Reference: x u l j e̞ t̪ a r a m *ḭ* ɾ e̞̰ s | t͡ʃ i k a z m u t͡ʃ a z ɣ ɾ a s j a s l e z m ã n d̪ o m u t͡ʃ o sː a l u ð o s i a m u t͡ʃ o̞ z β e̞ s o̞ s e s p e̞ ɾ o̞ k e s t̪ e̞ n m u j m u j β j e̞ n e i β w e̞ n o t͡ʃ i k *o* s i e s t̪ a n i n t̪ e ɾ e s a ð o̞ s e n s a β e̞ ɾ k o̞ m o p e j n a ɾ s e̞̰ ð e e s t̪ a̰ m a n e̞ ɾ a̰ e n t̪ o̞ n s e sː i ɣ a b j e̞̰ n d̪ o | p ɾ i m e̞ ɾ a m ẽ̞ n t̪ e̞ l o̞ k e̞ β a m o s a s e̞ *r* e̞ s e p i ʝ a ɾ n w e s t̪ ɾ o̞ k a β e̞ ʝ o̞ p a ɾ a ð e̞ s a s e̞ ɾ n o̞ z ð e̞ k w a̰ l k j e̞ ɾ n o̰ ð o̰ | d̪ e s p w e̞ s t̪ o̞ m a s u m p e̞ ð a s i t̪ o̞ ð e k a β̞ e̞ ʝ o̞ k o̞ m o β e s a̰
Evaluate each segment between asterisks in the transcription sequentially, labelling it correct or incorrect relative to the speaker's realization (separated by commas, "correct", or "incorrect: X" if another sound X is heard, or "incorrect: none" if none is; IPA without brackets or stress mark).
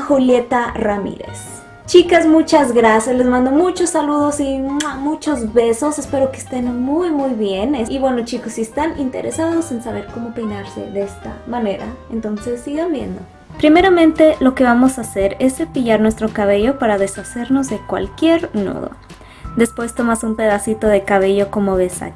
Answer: correct, correct, incorrect: ɾ